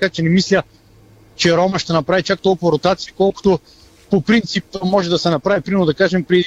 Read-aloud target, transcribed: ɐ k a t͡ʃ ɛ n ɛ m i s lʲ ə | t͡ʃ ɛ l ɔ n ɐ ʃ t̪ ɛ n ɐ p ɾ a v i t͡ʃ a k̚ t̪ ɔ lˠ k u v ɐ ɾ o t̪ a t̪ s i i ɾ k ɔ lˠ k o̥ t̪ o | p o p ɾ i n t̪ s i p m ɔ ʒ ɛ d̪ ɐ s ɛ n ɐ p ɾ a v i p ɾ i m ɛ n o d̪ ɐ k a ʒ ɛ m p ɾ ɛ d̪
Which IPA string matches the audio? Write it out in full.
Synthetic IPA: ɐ k a t͡ʃ ɛ n ɛ m i s lʲ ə | t͡ʃ ɛ ɾ ɔ m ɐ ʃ t̪ ɛ n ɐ p ɾ a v i t͡ʃ a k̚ t̪ ɔ lˠ k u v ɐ ɾ o t̪ a t̪ s i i k ɔ lˠ k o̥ t̪ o | p o p ɾ i n t̪ s i p m ɔ ʒ ɛ d̪ ɐ s ɛ n ɐ p ɾ a v i p ɾ i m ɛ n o d̪ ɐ k a ʒ ɛ m p ɾ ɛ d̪